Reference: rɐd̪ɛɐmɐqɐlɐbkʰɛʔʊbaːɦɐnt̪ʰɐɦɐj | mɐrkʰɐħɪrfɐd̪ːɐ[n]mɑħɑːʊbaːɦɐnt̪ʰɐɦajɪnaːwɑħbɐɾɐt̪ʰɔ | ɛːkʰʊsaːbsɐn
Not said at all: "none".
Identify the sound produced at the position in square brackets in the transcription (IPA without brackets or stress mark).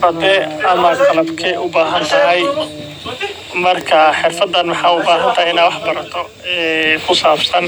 n